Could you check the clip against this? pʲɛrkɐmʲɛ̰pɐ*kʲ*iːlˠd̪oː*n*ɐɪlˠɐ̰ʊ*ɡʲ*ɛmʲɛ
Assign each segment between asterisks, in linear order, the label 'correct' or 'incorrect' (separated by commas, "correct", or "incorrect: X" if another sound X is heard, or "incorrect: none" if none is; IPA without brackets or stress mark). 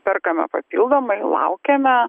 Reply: incorrect: pʲ, incorrect: m, incorrect: kʲ